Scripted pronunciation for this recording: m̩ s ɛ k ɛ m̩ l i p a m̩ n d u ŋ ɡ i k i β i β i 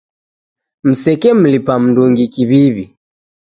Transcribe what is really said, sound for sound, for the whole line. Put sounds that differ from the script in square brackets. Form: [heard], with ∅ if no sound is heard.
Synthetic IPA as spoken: m̩ s ɛ k ɛ m̩ l i p a m̩ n d u ŋ ɡ i k i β i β i